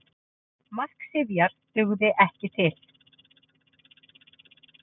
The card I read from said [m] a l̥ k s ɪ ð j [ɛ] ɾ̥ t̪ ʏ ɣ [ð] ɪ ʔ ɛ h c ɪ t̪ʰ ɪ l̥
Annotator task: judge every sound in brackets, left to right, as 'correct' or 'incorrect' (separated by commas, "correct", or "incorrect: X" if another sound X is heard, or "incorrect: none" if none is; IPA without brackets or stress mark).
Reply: correct, incorrect: a, correct